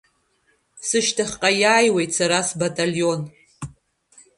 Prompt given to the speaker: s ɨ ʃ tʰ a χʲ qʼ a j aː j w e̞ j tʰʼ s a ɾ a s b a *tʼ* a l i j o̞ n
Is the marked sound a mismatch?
no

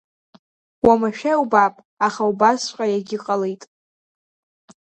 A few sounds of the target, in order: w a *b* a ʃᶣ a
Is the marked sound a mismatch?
yes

